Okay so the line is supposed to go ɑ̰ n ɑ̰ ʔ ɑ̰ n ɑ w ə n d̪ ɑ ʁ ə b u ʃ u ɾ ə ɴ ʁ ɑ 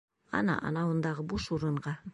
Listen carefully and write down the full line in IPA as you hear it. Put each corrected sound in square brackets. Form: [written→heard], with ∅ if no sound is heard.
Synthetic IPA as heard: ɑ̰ n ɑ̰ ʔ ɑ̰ n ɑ w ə n d̪ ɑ ʁ ə b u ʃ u ɾ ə ɴ ʁ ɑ